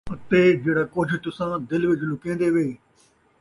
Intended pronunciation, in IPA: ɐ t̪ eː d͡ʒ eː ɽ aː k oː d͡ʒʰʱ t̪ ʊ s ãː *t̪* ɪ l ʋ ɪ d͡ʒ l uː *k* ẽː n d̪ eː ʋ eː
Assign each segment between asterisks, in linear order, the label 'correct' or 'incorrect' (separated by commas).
incorrect, correct